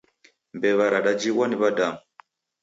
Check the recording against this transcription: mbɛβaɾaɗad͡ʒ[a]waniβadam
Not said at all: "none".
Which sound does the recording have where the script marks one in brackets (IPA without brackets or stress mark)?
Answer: i